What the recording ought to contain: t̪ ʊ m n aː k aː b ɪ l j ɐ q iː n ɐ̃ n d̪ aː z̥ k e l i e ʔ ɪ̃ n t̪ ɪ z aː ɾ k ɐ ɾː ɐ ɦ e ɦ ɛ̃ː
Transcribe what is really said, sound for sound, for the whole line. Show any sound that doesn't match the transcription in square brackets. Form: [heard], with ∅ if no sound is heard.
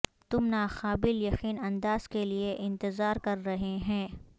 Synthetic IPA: t̪ ʊ m n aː [x] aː b ɪ l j ɐ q iː n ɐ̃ n d̪ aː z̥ k e l i e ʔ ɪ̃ n t̪ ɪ z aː ɾ k ɐ ɾː ɐ ɦ e ɦ ɛ̃ː

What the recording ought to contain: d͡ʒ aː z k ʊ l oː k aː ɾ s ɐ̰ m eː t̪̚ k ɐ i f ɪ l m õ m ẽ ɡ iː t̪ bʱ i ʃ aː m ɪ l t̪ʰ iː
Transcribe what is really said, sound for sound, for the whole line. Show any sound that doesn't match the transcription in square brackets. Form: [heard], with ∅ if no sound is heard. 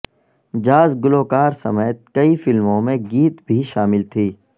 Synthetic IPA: d͡ʒ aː z [ɡ] ʊ l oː k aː ɾ s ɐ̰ m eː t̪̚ k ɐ i f ɪ l m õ m ẽ ɡ iː t̪ bʱ i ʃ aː m ɪ l t̪ʰ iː

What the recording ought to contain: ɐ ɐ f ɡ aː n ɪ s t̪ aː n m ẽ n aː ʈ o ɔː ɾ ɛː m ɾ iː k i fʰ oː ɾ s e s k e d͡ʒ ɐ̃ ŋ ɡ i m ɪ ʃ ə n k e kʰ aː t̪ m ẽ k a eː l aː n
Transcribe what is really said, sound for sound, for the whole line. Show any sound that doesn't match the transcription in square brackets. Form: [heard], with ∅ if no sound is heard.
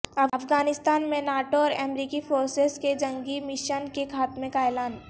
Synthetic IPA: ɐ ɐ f ɡ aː n ɪ s t̪ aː n m ẽ n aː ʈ o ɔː ɾ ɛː m ɾ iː k i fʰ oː ɾ s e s k e d͡ʒ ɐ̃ ŋ ɡ i m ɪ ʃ ə n k e kʰ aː t̪ m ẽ k a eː l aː n

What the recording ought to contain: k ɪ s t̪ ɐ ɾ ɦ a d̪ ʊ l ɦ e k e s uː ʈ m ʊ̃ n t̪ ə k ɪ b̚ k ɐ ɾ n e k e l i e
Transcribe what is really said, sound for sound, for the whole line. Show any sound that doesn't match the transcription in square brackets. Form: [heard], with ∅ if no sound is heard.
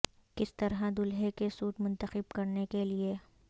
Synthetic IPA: k ɪ s t̪ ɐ ɾ ɦ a d̪ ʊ l ɦ e k e s uː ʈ m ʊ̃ n t̪ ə [x] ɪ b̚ k ɐ ɾ n e k e l i e

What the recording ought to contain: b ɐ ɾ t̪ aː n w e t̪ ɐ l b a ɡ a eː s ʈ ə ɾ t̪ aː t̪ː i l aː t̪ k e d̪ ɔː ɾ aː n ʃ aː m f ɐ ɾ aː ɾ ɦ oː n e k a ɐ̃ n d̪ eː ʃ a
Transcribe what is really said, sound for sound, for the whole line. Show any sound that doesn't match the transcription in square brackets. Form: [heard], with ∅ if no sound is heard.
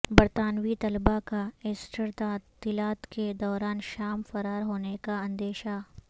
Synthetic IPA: b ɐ ɾ t̪ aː n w [i] t̪ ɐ l b a [k] a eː s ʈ ə ɾ t̪ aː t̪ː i l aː t̪ k e d̪ ɔː ɾ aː n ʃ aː m f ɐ ɾ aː ɾ ɦ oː n e k a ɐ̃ n d̪ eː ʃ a

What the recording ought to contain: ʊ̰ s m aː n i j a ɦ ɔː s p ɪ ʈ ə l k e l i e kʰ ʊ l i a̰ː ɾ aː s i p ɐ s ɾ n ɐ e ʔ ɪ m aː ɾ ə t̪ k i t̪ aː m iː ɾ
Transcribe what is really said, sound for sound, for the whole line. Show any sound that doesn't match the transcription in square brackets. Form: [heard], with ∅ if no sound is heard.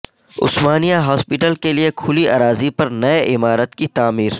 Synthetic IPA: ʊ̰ s m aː n i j a ɦ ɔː s p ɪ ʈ ə l k e l i e kʰ ʊ l i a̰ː ɾ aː [z] i p ɐ [∅] ɾ n ɐ e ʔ ɪ m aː ɾ ə t̪ k i t̪ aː m iː ɾ

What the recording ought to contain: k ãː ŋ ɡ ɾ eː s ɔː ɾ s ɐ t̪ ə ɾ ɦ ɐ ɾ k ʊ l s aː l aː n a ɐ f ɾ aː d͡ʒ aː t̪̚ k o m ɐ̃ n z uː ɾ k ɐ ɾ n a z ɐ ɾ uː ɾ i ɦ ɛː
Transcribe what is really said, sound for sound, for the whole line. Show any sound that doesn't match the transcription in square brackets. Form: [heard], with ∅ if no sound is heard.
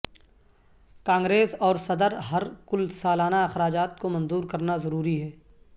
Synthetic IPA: k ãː ŋ ɡ ɾ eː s ɔː ɾ s ɐ [d̪] ə ɾ ɦ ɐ ɾ k ʊ l s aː l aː n a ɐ [x] ɾ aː d͡ʒ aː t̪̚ k o m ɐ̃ n z uː ɾ k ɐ ɾ n a z ɐ ɾ uː ɾ i ɦ ɛː

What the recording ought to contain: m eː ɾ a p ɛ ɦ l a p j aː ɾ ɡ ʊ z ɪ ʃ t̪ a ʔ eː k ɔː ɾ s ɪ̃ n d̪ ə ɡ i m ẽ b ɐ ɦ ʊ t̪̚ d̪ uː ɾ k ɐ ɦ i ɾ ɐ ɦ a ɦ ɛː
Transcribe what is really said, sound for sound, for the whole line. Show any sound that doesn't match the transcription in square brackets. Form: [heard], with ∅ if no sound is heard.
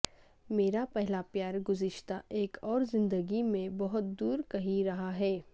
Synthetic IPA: m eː ɾ a p ɛ ɦ l a p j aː ɾ ɡ ʊ z ɪ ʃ t̪ a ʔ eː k ɔː ɾ [z] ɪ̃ n d̪ ə ɡ i m ẽ b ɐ ɦ ʊ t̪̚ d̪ uː ɾ k ɐ ɦ i ɾ ɐ ɦ a ɦ ɛː

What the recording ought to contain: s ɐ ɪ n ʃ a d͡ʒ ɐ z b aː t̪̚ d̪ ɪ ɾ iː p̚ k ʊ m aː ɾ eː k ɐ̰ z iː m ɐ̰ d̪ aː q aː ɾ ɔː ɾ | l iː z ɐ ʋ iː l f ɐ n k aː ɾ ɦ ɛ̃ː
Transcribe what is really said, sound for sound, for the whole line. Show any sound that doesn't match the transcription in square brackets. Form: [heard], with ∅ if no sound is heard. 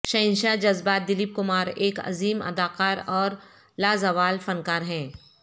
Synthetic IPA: [ʃ] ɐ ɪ n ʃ a d͡ʒ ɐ z b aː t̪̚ d̪ ɪ [l] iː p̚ k ʊ m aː ɾ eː k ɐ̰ z iː m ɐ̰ d̪ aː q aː ɾ ɔː ɾ | l [aː] z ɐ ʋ [aː] l f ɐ n k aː ɾ ɦ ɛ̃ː

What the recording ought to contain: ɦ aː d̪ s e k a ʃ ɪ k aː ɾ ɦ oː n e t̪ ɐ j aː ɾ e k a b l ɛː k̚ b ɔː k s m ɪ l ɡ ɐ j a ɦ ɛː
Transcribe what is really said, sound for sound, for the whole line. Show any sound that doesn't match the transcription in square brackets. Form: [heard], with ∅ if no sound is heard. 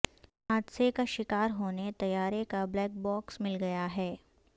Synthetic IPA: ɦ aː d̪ s e k a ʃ ɪ k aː ɾ ɦ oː n e t̪ ɐ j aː ɾ e k a b l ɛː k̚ b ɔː k s m ɪ l ɡ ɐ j a ɦ ɛː

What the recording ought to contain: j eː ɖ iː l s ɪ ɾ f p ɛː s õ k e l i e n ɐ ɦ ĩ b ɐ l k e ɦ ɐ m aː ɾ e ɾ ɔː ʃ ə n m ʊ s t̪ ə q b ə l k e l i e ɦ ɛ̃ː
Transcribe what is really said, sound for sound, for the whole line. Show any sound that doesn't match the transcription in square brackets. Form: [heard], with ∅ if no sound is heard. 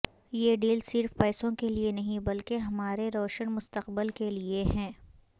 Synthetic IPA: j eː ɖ iː l s ɪ ɾ f p ɛː s õ k e l i e n ɐ ɦ ĩ b ɐ l k e ɦ ɐ m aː ɾ e ɾ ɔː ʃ ə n m ʊ s t̪ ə q b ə l k e l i e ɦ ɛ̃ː

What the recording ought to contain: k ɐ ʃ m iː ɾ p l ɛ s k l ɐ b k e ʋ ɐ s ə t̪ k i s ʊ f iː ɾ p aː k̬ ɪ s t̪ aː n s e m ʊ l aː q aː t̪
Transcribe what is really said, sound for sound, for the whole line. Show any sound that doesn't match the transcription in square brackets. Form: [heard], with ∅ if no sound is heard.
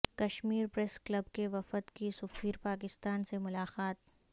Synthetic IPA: k ɐ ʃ m iː ɾ p [ɾ] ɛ s k l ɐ b k e ʋ ɐ [f] ə t̪ k i s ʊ f iː ɾ p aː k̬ ɪ s t̪ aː n s e m ʊ l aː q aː t̪

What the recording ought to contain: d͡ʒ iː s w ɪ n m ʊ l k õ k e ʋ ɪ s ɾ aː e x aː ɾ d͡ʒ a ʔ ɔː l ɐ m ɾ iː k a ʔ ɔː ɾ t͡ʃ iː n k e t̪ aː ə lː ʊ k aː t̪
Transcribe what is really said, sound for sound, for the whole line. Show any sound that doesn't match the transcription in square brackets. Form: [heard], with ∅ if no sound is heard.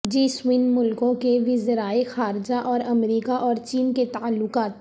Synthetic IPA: d͡ʒ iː s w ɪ n m ʊ l k õ k e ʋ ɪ [z] ɾ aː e x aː ɾ d͡ʒ a ʔ ɔː [ɾ] ɐ m ɾ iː k a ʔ ɔː ɾ t͡ʃ iː n k e t̪ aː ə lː ʊ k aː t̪

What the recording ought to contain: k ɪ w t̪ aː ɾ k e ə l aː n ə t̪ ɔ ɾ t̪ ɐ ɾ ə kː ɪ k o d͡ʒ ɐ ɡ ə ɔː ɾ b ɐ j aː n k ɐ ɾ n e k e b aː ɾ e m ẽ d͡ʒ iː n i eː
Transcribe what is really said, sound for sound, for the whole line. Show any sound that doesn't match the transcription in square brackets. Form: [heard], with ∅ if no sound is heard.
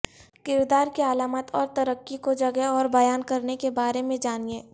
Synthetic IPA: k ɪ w [d̪] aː ɾ k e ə l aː [m] ə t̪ [ɔː] ɾ t̪ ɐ ɾ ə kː [i] k o d͡ʒ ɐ ɡ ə ɔː ɾ b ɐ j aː n k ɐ ɾ n e k e b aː ɾ e m ẽ d͡ʒ [aː] n i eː

